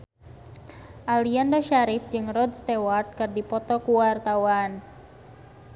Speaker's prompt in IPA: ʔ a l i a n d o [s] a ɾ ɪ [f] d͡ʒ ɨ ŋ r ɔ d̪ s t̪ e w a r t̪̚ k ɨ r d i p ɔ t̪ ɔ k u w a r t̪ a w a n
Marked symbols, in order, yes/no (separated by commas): no, yes